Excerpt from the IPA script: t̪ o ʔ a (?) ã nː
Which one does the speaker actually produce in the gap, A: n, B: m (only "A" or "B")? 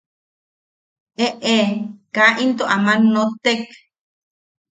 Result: B